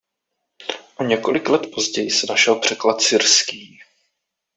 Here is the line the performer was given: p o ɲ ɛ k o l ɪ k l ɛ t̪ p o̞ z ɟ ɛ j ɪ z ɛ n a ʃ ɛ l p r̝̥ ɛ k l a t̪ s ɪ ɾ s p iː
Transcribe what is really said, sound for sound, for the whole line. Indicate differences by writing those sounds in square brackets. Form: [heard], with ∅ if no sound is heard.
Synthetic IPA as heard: [ʔ] o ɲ ɛ k o l ɪ k l ɛ t̪ p o̞ z ɟ ɛ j ɪ [s] ɛ n a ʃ ɛ l p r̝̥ ɛ k l a t̪ s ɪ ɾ s [k] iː